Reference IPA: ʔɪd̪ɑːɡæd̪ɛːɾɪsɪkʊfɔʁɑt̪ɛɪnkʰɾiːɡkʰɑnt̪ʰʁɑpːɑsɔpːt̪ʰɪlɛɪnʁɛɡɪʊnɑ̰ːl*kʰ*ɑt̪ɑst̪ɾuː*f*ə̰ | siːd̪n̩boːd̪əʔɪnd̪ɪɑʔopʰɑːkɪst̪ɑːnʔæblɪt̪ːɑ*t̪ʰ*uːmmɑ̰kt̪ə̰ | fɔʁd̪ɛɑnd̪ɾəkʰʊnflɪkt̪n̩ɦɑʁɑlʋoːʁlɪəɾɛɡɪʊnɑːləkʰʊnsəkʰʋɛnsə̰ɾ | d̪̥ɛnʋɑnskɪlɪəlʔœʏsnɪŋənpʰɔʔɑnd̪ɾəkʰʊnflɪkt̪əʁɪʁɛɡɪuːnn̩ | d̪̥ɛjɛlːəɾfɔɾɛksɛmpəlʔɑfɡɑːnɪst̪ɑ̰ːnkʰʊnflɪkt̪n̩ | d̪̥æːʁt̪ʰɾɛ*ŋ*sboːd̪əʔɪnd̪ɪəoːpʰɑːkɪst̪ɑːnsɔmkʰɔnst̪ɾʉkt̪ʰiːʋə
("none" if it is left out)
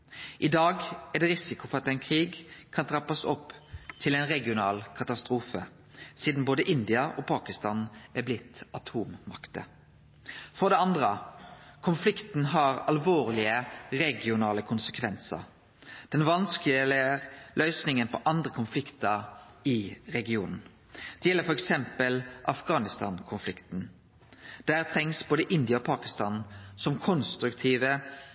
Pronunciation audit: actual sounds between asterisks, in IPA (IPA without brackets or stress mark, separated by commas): kʰ, f, t̪ʰ, ŋ